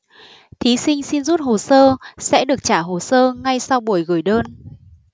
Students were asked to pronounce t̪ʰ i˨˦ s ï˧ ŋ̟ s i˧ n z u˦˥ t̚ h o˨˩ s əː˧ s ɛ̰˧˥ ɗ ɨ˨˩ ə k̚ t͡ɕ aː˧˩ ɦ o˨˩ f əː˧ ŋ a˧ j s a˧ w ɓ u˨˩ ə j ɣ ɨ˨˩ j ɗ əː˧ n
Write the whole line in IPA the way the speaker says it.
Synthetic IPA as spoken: t̪ʰ i˨˦ s ï˧ ŋ̟ s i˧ n z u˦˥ t̚ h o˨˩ s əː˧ s ɛ̰˧˥ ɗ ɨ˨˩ ə k̚ t͡ɕ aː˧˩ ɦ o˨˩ s əː˧ ŋ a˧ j s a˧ w ɓ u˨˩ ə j ɣ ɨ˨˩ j ɗ əː˧ n